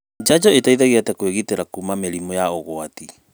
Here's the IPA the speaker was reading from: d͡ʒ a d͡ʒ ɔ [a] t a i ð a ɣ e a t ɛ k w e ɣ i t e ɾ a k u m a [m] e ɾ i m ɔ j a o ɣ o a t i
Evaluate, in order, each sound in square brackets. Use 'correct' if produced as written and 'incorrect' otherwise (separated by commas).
incorrect, correct